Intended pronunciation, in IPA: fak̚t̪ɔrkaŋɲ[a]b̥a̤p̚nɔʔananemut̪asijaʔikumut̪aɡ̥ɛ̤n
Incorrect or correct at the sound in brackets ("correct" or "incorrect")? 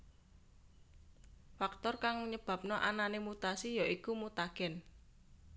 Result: incorrect